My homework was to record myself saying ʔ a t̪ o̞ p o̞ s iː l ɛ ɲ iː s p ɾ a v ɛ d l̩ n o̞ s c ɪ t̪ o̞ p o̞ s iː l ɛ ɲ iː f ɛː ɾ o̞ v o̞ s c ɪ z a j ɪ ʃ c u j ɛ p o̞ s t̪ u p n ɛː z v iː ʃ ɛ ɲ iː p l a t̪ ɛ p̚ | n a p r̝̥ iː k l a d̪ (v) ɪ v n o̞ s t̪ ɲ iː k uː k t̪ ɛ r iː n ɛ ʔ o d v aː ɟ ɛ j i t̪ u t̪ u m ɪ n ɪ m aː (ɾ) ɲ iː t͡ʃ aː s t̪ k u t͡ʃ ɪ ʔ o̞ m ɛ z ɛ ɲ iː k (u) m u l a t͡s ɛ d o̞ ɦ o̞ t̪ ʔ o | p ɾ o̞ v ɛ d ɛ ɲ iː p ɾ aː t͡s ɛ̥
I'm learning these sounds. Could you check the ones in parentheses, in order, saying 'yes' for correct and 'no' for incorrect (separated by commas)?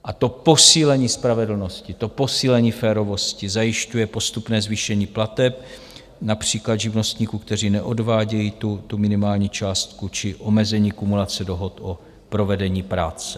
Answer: no, no, yes